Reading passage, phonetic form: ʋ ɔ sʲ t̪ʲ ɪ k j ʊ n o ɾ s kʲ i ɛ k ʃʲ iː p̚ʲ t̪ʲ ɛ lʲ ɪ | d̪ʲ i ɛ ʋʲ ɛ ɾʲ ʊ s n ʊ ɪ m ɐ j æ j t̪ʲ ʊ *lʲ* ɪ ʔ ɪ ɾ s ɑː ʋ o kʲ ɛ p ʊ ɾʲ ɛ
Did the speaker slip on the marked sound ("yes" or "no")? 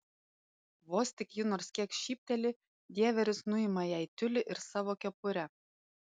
no